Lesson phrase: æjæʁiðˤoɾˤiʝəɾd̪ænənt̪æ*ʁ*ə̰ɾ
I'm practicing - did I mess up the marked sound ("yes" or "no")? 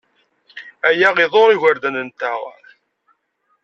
no